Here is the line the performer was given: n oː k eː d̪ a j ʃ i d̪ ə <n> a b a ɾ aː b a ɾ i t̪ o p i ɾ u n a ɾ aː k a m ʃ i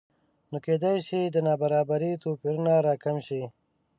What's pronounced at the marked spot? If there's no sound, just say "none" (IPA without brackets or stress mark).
n